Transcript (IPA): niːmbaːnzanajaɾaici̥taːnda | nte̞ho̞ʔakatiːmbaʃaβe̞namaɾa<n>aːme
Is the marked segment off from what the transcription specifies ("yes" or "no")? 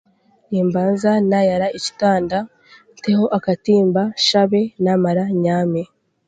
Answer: yes